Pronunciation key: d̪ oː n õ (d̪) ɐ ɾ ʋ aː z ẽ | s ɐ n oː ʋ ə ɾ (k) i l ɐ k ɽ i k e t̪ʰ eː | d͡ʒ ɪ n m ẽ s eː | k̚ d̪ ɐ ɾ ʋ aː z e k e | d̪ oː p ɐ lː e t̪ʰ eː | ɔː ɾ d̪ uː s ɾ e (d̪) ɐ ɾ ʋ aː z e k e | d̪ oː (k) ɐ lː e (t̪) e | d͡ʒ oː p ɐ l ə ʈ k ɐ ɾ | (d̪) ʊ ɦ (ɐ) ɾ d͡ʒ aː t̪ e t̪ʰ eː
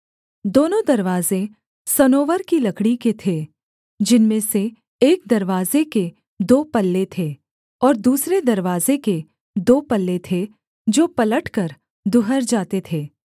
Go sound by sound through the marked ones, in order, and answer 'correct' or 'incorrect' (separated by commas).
correct, correct, correct, incorrect, incorrect, correct, incorrect